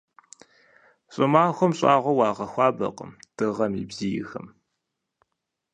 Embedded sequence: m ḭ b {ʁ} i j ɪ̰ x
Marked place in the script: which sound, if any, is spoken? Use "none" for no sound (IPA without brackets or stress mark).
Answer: z